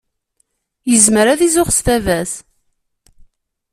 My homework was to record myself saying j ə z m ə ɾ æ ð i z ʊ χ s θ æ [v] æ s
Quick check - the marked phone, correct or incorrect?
correct